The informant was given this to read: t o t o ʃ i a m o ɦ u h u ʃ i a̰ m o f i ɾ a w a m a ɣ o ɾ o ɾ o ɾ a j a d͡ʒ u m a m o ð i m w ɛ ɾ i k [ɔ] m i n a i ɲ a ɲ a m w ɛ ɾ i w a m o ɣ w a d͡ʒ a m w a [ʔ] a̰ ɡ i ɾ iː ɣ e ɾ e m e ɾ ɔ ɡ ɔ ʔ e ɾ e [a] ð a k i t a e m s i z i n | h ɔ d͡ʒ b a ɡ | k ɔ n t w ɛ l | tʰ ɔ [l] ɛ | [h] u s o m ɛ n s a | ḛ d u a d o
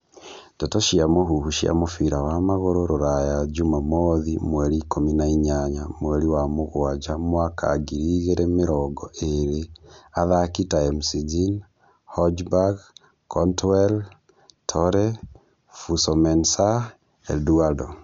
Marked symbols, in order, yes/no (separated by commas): no, no, yes, no, no